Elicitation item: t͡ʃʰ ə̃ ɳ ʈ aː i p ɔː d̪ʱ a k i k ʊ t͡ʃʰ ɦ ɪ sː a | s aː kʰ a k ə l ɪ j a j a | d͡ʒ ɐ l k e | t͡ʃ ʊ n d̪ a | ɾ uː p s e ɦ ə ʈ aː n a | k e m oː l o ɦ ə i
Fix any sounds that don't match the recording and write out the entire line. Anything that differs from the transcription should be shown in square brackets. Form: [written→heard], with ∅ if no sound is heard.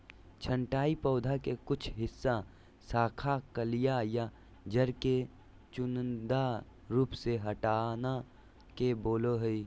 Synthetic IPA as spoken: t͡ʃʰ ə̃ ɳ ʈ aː i p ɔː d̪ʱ a k [i→e] k ʊ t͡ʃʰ ɦ ɪ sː a | s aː kʰ a k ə l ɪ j a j a | d͡ʒ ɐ [l→ɾ] k e | t͡ʃ ʊ n d̪ a | ɾ uː p s e ɦ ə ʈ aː n a | k e [m→b] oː l o ɦ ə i